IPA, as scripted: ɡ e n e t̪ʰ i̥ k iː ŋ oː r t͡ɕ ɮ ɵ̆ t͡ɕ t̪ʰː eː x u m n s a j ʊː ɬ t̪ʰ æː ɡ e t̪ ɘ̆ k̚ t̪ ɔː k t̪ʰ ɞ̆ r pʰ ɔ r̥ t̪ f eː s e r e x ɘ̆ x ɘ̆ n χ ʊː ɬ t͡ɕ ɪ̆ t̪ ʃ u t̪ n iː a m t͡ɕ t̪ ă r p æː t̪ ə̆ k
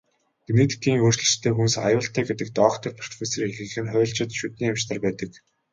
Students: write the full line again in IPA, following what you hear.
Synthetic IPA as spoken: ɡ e n e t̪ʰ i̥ k iː ŋ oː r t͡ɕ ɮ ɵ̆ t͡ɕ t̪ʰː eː x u n s a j ʊː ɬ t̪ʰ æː ɡ e t̪ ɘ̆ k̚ t̪ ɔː k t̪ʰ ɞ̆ r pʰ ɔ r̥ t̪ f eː s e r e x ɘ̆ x ɘ̆ n χ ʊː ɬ t͡ɕ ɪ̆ t̪ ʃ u t̪ n iː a m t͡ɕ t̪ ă r p æː t̪ ə̆ k